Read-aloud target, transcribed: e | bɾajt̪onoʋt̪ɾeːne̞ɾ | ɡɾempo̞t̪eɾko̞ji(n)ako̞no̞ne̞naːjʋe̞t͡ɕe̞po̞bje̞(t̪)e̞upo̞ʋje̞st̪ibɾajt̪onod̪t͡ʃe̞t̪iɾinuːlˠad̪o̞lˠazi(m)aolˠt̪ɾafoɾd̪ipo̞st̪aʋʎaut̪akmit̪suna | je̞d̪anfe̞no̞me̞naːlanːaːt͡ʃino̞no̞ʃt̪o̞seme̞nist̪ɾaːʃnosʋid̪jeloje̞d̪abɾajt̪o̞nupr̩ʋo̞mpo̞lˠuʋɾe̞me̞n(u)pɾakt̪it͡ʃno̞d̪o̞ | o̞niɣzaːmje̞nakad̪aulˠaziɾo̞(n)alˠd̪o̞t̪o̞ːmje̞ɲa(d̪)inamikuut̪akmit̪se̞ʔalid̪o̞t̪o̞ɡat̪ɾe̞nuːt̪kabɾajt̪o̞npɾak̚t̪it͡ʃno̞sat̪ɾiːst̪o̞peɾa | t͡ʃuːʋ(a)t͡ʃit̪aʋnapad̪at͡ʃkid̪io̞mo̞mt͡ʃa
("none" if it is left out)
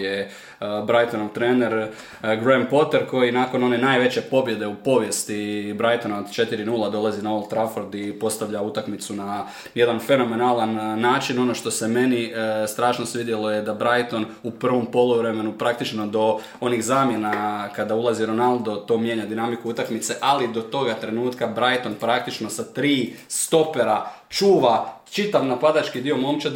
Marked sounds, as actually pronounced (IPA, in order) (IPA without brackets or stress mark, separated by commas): n, d̪, n, u, n, d̪, a